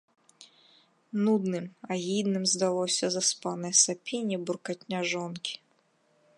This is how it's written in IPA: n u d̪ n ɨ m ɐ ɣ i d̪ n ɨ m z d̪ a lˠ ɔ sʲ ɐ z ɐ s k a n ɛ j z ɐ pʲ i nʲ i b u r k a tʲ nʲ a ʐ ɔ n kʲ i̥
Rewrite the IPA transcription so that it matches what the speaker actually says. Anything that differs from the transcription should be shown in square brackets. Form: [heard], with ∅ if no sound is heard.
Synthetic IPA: n u d̪ n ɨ m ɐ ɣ i d̪ n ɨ m z d̪ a lˠ ɔ sʲ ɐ z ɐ s [p] a n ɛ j [s] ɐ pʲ i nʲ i b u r k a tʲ nʲ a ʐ ɔ n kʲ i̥